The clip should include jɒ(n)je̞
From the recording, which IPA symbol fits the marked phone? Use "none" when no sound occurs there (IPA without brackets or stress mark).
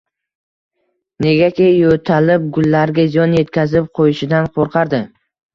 n